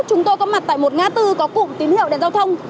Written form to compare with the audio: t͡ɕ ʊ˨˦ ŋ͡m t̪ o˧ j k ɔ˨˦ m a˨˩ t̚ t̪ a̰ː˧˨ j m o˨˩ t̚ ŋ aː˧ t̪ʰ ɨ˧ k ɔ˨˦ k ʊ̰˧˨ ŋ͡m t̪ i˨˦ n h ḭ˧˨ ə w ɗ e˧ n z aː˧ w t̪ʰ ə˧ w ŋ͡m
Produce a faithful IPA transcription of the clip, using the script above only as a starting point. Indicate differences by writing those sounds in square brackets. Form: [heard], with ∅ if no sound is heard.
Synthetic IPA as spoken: t͡ɕ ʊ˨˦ ŋ͡m t̪ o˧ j k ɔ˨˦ m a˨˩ t̚ t̪ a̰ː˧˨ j m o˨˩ t̚ ŋ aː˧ [t̪] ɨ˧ k ɔ˨˦ k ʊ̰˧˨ ŋ͡m t̪ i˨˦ n h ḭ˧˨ ə w ɗ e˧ n z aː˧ w t̪ʰ ə˧ w ŋ͡m